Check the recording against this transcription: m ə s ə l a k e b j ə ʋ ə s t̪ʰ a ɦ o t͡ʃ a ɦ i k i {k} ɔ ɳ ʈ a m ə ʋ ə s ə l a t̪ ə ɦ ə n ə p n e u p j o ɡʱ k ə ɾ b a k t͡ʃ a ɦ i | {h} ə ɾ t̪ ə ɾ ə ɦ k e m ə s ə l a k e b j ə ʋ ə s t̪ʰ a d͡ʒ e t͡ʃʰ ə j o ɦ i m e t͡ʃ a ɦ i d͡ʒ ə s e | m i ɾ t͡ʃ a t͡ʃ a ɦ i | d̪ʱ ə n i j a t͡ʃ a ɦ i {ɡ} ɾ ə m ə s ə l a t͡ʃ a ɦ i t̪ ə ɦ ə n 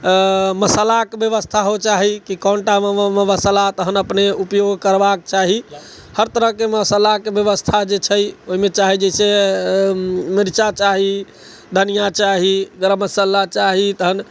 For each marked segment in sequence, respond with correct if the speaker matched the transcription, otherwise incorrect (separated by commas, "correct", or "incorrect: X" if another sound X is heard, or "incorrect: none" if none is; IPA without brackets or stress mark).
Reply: correct, correct, correct